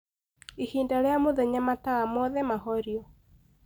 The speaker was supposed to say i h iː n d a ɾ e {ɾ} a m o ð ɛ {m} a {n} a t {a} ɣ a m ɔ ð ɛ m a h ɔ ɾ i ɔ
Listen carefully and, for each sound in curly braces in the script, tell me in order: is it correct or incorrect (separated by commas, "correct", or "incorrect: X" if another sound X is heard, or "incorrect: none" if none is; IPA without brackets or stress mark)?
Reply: incorrect: none, incorrect: ɲ, incorrect: m, correct